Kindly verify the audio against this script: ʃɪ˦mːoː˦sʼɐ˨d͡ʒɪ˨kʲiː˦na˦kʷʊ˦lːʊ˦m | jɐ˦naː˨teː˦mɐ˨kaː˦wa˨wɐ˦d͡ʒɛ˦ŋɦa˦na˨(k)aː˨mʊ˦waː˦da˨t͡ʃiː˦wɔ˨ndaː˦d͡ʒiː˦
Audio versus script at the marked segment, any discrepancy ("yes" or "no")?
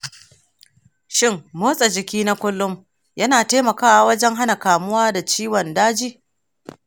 no